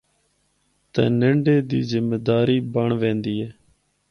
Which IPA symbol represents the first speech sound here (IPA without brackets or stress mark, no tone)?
t̪